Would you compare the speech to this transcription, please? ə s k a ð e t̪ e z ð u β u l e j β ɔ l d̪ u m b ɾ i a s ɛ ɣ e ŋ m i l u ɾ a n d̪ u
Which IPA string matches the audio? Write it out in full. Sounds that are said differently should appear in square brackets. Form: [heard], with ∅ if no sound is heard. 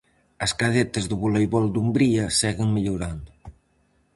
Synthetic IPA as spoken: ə s k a ð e t̪ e z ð u β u l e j β ɔ l d̪ u m b ɾ i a s ɛ ɣ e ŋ m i [ʎ] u ɾ a n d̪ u